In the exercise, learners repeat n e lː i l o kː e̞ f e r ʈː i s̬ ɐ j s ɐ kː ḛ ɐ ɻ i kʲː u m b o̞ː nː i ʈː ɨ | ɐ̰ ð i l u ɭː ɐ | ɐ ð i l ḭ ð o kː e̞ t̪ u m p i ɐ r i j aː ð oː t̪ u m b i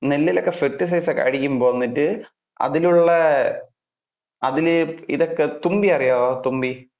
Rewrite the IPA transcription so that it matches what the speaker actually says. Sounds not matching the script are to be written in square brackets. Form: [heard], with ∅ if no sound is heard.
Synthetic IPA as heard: n e lː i l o kː e̞ f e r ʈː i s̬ ɐ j s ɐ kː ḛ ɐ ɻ i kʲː u m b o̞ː nː i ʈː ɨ | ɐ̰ ð i l u ɭː ɐ | ɐ ð i l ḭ ð o kː e̞ t̪ u m [b] i ɐ r i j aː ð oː t̪ u m b i

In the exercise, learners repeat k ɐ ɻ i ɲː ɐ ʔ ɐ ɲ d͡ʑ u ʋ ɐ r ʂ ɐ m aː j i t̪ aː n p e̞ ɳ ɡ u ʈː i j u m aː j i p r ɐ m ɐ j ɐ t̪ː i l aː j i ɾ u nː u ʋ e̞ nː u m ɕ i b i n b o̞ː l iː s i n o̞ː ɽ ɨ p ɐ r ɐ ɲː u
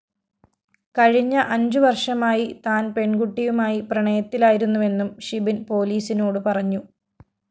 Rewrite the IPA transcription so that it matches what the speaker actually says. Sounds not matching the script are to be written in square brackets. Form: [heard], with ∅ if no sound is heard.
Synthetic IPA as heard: k ɐ ɻ i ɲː ɐ ʔ ɐ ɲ d͡ʑ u ʋ ɐ r ʂ ɐ m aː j i t̪ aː n p e̞ ɳ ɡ u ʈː i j u m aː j i p r ɐ [ɳ] ɐ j ɐ t̪ː i l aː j i ɾ u nː u ʋ e̞ nː u m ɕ i b i n [p] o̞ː l iː s i n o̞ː ɽ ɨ p ɐ r ɐ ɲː u

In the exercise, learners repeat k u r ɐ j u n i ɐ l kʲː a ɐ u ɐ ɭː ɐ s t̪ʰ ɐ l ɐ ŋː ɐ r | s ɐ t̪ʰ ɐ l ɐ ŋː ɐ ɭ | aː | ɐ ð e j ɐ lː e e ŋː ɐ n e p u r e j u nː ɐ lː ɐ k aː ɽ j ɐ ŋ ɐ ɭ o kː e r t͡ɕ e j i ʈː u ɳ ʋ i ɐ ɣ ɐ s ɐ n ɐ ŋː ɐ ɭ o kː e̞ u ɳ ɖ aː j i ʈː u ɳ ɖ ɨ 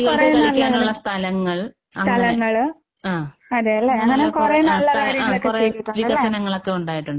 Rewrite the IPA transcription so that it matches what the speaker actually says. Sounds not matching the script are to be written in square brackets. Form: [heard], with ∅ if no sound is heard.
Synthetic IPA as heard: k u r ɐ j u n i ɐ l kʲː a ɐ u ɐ ɭː ɐ s t̪ʰ ɐ l ɐ ŋː ɐ [ɭ] | s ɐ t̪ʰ ɐ l ɐ ŋː ɐ ɭ | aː | ɐ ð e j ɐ lː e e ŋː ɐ n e [k] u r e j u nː ɐ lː ɐ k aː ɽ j ɐ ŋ ɐ ɭ o kː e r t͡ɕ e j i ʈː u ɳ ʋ i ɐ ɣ ɐ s ɐ n ɐ ŋː ɐ ɭ o kː e̞ u ɳ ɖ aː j i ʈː u ɳ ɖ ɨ

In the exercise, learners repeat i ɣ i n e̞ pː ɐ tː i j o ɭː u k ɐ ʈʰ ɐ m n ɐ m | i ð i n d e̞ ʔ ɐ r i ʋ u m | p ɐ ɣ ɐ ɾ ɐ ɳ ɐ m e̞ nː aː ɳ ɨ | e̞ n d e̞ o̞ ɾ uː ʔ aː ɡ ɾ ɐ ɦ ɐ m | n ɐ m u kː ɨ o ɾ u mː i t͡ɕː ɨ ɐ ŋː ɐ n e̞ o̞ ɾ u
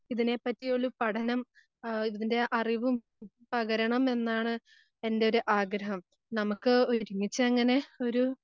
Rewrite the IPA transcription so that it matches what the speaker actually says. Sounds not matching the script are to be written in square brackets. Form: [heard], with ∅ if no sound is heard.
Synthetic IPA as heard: i [ð] i n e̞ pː ɐ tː i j o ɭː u [p] ɐ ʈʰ ɐ [∅] n ɐ m | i ð i n d e̞ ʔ ɐ r i ʋ u m | p ɐ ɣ ɐ ɾ ɐ ɳ ɐ m e̞ nː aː ɳ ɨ | e̞ n d e̞ o̞ ɾ [u] ʔ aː ɡ ɾ ɐ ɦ ɐ m | n ɐ m u kː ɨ o ɾ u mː i t͡ɕː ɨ ɐ ŋː ɐ n e̞ o̞ ɾ u

